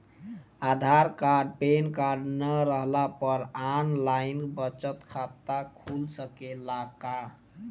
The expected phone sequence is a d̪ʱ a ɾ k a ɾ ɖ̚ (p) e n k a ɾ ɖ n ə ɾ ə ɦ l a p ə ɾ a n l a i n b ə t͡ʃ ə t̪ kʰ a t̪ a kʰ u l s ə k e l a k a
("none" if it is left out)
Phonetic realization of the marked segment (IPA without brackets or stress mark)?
p